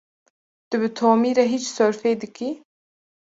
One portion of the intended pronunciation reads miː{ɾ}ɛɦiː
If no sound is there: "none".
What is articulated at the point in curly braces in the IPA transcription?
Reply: ɾ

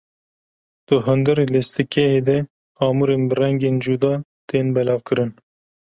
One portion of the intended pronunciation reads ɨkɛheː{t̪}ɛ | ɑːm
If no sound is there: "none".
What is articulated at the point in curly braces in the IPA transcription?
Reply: d̪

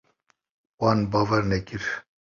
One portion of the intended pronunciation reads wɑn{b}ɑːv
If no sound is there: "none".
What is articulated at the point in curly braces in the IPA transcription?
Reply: b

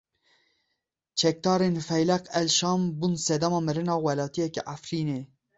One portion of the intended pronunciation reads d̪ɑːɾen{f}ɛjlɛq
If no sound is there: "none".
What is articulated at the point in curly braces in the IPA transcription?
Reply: f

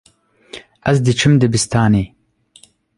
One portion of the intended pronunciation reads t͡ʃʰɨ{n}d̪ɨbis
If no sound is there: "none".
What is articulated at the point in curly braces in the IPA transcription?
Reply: m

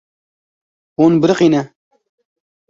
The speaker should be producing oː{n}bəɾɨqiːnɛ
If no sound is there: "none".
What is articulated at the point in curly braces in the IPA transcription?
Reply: n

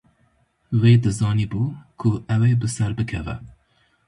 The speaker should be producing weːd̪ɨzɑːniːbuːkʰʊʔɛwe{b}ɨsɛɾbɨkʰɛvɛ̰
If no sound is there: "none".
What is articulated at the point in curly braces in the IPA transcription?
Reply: b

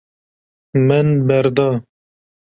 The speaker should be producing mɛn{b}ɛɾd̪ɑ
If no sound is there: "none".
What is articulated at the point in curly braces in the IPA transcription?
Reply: b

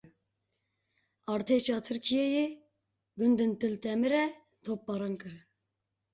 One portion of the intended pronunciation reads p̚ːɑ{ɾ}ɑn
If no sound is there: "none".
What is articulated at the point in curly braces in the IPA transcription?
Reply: ɾ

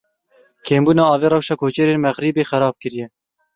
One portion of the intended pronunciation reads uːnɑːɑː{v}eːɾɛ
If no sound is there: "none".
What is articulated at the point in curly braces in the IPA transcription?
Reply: v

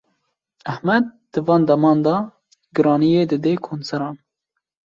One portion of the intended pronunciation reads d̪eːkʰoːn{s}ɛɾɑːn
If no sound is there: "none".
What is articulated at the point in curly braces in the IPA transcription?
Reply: s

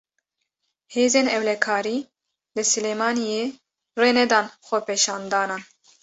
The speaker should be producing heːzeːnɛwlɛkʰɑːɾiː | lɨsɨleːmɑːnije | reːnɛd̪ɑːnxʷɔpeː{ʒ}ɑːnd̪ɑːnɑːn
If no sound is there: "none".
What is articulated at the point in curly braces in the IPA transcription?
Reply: ʃ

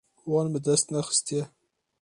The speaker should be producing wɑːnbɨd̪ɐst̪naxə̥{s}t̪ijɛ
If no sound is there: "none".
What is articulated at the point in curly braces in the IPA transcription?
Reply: s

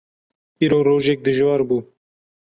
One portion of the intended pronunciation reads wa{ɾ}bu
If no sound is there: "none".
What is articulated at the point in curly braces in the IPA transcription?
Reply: ɾ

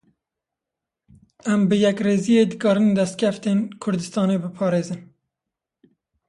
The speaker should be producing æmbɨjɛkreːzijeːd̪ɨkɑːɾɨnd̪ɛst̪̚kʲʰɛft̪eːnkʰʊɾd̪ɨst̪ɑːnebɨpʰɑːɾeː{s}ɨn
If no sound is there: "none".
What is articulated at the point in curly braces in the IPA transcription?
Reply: z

